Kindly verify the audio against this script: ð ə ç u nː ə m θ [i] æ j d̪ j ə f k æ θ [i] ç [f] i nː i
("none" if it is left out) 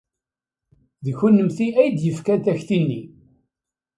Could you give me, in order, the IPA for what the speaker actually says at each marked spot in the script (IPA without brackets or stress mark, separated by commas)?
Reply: i, æ, θ